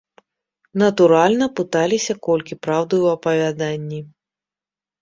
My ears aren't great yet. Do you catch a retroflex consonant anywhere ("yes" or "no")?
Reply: no